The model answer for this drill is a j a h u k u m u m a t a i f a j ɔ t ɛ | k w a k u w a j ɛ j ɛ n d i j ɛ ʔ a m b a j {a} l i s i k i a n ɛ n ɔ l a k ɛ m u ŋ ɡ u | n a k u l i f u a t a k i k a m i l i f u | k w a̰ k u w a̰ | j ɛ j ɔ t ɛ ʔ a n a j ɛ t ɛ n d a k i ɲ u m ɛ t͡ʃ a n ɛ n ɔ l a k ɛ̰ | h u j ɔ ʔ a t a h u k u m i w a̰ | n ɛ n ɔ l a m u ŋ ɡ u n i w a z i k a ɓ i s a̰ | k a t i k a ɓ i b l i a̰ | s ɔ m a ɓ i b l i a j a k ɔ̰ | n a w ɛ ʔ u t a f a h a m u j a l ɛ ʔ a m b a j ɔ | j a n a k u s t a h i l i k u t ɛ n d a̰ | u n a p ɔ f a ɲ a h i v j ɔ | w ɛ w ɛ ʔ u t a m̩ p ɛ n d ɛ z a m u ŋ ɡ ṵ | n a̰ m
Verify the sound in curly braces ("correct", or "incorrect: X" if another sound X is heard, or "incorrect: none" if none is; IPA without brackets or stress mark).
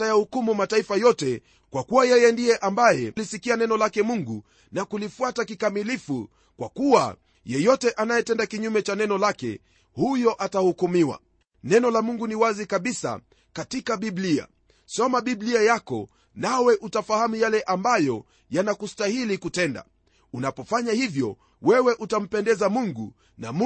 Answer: incorrect: ɛ